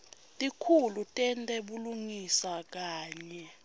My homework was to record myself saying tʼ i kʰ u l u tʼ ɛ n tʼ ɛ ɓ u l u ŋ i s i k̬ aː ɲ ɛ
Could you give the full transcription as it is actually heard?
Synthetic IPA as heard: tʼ i kʰ u l u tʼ ɛ n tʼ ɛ ɓ u l u ŋ i s a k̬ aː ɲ ɛ